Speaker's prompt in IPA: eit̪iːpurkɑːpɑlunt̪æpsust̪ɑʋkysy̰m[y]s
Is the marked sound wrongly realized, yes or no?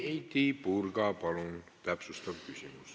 no